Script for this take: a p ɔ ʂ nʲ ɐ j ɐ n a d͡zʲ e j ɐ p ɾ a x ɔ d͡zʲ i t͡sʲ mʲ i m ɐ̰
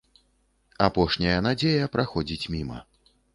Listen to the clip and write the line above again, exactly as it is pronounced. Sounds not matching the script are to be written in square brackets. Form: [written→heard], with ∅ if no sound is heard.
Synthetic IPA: a p ɔ ʂ nʲ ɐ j ɐ n a d͡zʲ e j ɐ p ɾ a x ɔ d͡zʲ i t͡sʲ mʲ i m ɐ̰